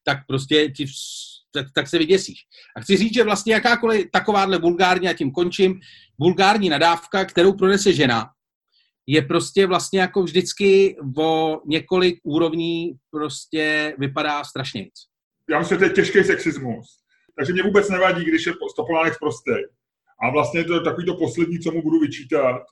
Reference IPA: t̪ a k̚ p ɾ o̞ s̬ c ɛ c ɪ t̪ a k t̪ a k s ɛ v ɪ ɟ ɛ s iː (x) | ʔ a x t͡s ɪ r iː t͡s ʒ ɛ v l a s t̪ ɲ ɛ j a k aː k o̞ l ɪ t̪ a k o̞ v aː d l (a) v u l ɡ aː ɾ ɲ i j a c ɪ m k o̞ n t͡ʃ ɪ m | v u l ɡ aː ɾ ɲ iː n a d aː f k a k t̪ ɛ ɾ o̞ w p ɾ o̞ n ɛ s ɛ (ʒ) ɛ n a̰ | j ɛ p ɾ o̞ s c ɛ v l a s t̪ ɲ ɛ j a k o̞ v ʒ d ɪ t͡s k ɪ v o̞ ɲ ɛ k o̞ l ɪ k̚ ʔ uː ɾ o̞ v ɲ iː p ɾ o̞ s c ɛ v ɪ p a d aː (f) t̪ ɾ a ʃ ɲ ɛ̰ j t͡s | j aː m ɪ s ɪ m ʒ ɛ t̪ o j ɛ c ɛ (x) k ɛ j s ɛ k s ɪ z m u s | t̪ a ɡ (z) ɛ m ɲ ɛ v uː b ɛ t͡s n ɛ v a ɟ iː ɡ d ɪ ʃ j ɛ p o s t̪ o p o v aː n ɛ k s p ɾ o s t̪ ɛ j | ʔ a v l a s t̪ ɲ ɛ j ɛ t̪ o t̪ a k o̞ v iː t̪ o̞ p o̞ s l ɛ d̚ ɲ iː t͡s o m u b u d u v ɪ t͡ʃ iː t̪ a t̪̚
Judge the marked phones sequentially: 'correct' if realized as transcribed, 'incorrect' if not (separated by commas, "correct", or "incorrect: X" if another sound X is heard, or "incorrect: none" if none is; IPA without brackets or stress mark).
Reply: incorrect: ʃ, incorrect: ɛ, correct, incorrect: s, incorrect: ʃ, incorrect: ʒ